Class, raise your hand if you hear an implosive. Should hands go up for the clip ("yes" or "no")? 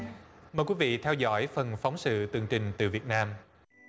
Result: no